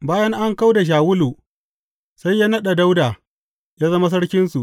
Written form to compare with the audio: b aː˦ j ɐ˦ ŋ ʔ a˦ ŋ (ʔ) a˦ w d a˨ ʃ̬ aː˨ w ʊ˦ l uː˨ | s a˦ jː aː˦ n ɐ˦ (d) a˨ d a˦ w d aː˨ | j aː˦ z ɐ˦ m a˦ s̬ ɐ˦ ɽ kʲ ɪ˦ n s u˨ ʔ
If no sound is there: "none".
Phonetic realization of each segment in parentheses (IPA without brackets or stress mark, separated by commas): k, ɗ